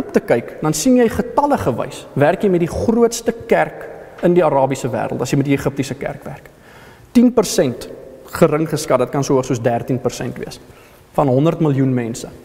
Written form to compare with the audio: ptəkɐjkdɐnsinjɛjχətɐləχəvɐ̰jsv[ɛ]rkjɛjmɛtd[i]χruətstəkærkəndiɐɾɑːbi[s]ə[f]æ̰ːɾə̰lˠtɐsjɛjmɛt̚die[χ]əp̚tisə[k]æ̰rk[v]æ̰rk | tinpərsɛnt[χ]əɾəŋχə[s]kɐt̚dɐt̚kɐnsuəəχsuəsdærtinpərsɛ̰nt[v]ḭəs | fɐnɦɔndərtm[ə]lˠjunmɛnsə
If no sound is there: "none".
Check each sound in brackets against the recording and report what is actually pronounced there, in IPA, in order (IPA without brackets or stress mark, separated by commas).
æ, i, s, v, χ, k, v, χ, s, v, ə